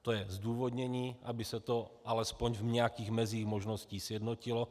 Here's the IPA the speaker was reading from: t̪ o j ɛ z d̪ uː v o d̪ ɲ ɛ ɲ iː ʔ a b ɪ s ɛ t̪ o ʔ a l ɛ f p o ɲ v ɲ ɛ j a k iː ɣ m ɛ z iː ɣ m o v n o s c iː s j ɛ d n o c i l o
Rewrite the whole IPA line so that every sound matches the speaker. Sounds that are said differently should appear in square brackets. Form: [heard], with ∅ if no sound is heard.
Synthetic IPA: t̪ o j ɛ z d̪ uː v o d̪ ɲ ɛ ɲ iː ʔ a b ɪ s ɛ t̪ o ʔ a l ɛ [s] p o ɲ v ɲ ɛ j a k iː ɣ m ɛ z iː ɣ m o [ʒ] n o s c iː s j ɛ d n o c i l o